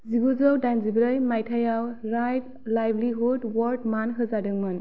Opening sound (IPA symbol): z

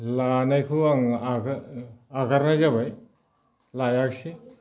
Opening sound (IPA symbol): l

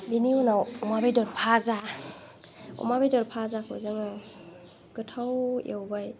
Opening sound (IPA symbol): b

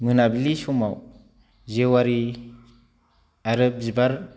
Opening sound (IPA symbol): m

